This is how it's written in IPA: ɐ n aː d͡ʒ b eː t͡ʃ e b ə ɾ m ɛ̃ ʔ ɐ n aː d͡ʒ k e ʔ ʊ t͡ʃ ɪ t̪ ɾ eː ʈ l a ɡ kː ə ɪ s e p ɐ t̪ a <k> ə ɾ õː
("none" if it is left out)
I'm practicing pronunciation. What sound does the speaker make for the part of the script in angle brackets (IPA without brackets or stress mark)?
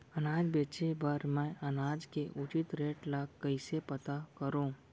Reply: k